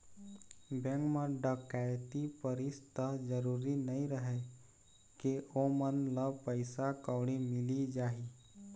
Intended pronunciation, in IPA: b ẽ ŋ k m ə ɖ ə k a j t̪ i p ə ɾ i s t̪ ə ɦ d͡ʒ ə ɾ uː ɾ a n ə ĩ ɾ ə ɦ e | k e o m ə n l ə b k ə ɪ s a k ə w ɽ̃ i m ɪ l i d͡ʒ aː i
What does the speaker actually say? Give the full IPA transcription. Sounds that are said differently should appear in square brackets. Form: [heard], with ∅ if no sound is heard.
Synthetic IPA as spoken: b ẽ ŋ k m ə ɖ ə k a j t̪ i p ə ɾ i s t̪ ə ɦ d͡ʒ ə ɾ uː ɾ [i] n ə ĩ ɾ ə ɦ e | k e o m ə n l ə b [p] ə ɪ s a k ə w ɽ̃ i m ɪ l i d͡ʒ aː i